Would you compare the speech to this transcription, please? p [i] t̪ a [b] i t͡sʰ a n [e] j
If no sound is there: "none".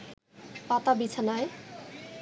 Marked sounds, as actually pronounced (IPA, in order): a, b, a

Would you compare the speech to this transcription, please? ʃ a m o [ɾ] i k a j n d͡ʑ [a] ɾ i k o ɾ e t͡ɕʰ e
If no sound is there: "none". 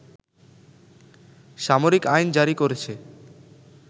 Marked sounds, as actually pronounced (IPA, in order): ɾ, a

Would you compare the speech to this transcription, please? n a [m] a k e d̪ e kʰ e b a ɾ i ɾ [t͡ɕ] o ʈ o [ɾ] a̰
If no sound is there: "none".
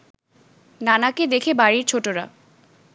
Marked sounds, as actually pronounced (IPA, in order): n, t͡ɕʰ, ɾ

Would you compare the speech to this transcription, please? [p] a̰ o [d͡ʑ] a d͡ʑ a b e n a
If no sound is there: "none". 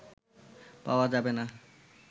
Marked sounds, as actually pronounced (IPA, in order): p, none

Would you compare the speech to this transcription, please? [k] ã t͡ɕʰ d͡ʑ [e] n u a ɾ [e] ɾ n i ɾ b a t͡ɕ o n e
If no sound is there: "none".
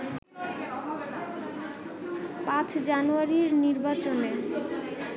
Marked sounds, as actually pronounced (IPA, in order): p, a, i

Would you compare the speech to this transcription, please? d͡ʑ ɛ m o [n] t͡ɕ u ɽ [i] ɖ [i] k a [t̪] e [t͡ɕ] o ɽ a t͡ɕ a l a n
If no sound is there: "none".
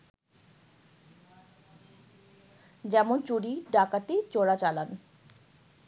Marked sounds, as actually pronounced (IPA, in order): n, i, a, t̪, t͡ɕ

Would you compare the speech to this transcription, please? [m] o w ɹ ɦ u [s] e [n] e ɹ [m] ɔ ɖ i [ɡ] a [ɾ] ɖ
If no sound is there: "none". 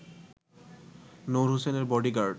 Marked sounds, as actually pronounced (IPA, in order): n, s, n, b, ɡ, ɹ

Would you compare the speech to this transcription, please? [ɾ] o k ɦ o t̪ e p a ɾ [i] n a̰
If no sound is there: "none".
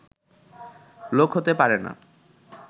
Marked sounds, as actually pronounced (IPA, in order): l, e

